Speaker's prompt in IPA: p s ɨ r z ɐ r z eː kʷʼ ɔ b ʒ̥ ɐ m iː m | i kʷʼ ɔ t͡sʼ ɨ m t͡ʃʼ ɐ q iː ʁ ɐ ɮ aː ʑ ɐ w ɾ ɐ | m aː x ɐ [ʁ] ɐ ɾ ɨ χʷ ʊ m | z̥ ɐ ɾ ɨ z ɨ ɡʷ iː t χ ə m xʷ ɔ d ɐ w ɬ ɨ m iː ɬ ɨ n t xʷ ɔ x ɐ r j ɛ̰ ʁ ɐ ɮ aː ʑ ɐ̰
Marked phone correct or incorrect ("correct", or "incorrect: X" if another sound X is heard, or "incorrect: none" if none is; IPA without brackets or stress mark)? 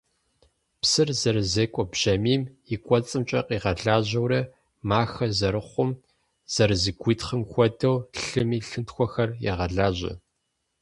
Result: incorrect: z